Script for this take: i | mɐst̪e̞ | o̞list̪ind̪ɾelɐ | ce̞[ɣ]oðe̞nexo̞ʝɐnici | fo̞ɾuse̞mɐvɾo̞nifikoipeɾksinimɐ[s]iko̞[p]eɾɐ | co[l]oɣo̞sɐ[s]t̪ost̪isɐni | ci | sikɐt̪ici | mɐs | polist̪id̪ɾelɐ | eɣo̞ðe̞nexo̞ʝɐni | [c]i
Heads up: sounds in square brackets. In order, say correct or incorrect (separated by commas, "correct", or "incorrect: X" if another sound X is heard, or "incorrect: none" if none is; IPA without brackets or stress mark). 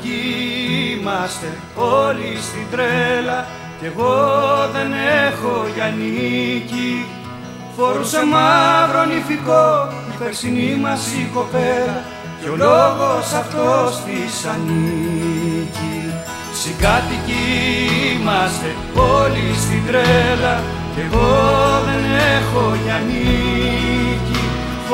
correct, correct, correct, correct, incorrect: f, correct